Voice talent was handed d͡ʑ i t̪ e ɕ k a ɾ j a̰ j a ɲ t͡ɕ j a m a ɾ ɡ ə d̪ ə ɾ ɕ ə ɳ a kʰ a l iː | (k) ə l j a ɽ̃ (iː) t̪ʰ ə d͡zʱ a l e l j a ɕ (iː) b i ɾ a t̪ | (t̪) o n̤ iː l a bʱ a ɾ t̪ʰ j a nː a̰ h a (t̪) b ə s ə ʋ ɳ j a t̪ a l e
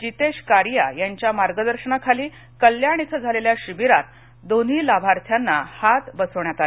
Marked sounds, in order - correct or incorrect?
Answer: correct, incorrect, incorrect, incorrect, correct

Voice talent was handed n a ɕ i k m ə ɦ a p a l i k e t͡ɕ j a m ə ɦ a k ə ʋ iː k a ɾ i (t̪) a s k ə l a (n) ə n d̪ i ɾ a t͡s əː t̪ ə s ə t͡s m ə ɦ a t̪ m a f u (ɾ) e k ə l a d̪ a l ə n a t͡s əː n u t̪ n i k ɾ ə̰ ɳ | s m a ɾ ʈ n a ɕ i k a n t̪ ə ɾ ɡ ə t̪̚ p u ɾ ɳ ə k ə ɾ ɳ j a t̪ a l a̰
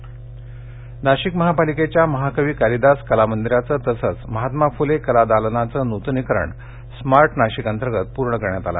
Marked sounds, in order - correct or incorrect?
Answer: incorrect, incorrect, incorrect

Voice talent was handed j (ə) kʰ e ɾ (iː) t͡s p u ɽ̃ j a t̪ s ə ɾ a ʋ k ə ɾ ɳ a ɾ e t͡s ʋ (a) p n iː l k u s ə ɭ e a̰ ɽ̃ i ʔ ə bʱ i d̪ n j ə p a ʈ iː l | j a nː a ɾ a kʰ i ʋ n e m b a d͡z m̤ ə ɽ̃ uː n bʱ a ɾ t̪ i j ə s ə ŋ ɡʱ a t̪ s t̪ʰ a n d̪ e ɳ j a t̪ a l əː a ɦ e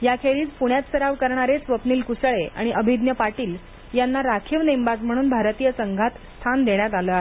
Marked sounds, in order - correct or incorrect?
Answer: incorrect, correct, incorrect

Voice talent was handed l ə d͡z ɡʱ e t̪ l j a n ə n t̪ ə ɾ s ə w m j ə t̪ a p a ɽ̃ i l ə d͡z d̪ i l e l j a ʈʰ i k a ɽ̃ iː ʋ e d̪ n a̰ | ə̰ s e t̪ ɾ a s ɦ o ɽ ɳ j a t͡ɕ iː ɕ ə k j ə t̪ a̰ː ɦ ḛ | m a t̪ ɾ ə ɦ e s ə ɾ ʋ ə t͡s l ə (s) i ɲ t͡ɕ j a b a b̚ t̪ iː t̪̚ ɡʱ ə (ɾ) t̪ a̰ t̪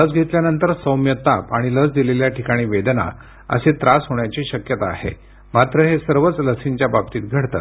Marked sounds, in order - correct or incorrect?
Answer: correct, incorrect

